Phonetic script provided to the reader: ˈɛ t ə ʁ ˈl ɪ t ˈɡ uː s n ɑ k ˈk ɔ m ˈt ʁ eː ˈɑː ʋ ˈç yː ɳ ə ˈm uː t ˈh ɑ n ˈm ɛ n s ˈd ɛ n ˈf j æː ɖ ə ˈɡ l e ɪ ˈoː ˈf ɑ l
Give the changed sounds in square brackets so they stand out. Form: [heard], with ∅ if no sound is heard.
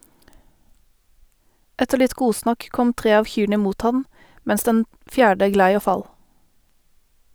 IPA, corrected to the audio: ˈɛ t ə ʁ ˈl ɪ t ˈɡ uː s n ɑ k ˈk ɔ m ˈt ʁ eː ˈɑː ʋ ˈç yː ɳ ə ˈm uː t ˈh ɑ n ˈm ɛ n s ˈd ɛ n ˈf j æː ɖ ə ˈɡ l [æ] ɪ ˈoː ˈf ɑ l